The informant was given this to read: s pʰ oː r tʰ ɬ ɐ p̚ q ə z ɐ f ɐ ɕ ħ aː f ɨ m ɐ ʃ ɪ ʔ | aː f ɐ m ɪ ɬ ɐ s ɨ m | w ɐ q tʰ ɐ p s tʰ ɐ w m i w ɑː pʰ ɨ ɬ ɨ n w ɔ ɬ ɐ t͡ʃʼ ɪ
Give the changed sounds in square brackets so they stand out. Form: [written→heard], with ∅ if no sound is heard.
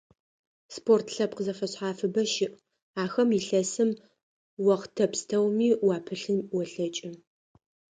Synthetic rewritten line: s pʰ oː r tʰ ɬ ɐ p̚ q ə z ɐ f ɐ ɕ ħ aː f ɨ [m→b] ɐ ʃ ɪ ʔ | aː [f→x] ɐ m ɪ ɬ ɐ s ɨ m | w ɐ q tʰ ɐ p s tʰ ɐ w m [i→iː] w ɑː pʰ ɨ ɬ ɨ n w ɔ ɬ ɐ t͡ʃʼ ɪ